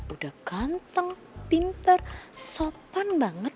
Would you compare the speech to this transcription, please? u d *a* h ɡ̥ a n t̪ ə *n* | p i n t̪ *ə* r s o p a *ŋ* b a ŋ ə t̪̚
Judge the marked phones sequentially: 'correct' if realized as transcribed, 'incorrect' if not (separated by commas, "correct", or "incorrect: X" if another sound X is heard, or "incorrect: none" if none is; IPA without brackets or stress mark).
correct, incorrect: ŋ, correct, incorrect: n